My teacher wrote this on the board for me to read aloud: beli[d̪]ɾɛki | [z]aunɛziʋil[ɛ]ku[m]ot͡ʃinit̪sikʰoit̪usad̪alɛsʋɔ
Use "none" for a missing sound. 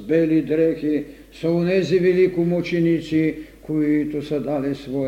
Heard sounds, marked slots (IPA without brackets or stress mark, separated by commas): d̪, s, i, m